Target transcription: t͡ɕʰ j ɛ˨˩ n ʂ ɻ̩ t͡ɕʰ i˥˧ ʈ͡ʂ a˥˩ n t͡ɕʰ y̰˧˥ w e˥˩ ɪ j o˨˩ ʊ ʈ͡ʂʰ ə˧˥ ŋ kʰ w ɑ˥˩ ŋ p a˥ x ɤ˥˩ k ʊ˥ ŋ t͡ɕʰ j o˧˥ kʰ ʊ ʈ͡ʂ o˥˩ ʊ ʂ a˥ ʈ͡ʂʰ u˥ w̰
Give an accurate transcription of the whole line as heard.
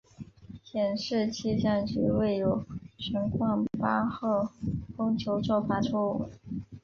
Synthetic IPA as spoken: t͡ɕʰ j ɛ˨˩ n ʂ ɻ̩ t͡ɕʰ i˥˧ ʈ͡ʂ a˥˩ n t͡ɕ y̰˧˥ w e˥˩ ɪ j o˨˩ ʊ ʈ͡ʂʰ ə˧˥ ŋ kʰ w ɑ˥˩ ŋ p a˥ x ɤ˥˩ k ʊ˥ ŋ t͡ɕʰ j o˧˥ ʊ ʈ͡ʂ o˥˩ ʊ f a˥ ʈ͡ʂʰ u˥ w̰